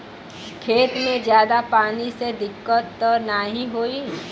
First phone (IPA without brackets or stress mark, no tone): kʰ